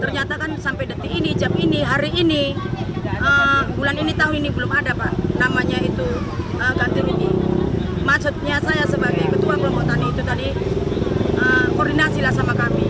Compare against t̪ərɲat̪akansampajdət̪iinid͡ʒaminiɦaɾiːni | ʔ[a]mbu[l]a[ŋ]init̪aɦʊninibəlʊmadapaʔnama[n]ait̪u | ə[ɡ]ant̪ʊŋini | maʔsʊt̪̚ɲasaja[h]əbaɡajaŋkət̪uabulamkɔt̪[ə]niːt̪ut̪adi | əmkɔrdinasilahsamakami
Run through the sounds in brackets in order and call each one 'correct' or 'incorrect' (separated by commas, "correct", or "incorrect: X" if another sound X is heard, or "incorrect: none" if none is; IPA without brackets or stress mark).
incorrect: ə, correct, incorrect: n, incorrect: ɲ, correct, incorrect: s, incorrect: a